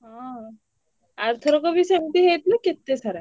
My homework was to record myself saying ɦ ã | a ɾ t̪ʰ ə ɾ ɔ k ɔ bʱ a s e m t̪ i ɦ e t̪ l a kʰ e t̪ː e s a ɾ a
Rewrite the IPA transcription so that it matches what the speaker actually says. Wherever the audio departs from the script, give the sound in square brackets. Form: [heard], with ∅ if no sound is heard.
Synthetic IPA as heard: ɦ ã | a ɾ t̪ʰ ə ɾ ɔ k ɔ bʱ [i] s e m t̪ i ɦ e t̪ l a [k] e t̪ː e s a ɾ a